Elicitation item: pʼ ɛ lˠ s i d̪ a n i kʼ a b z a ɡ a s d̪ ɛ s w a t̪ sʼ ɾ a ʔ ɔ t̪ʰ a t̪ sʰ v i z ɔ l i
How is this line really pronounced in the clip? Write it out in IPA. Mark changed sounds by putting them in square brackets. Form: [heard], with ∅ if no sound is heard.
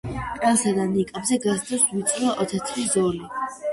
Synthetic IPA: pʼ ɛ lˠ s [a] d̪ a n i kʼ a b z [ɛ] ɡ a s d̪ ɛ s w [i] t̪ sʼ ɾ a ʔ ɔ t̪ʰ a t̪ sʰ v i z ɔ l i